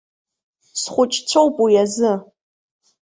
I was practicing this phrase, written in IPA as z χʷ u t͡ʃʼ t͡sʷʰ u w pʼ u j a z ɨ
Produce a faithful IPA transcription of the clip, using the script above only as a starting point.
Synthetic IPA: s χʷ ʊ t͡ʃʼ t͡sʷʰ o w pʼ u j a z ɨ